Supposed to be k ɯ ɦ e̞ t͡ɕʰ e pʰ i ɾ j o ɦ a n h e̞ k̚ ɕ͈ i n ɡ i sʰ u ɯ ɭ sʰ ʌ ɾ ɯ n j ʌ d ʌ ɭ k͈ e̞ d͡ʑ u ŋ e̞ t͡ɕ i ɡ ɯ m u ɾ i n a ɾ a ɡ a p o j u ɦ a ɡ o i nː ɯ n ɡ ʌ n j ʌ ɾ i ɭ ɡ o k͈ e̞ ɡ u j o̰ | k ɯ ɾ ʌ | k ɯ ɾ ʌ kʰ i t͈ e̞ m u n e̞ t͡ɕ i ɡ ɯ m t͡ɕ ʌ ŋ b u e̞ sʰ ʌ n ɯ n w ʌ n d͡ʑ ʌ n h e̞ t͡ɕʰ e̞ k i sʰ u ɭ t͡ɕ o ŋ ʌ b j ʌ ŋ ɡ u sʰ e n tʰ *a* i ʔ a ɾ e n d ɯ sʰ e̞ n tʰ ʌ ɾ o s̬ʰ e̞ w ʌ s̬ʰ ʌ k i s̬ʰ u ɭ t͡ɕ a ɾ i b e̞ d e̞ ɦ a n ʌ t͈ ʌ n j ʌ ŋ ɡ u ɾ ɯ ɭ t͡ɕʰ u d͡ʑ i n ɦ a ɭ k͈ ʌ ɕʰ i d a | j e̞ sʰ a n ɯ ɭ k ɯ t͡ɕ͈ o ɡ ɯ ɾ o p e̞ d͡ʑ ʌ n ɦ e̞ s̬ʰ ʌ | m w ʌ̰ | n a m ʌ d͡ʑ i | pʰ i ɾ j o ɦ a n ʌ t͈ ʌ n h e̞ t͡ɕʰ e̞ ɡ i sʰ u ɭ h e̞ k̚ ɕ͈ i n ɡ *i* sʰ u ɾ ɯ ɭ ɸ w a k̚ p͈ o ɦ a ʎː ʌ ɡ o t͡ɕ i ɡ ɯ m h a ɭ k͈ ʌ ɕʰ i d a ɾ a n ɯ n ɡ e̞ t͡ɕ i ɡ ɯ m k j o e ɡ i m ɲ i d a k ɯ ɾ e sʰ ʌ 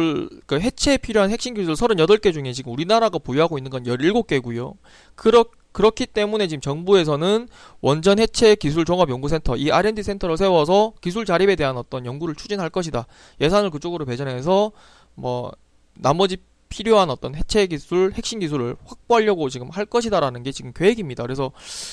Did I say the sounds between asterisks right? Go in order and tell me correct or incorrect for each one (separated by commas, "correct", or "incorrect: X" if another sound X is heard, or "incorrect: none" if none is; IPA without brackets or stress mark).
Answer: incorrect: ʌ, correct